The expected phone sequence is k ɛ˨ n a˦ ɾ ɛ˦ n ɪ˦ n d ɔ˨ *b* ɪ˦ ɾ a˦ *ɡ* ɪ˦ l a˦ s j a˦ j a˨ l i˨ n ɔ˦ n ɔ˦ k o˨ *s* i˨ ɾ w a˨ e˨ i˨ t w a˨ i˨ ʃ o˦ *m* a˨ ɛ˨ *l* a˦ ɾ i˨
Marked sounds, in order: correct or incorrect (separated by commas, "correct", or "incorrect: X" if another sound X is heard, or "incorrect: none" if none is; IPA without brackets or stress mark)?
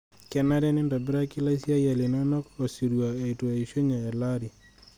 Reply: correct, incorrect: k, correct, incorrect: ɲ, correct